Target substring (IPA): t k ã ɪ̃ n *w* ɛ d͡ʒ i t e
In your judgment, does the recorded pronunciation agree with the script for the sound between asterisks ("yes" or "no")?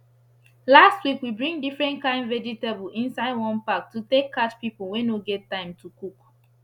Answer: no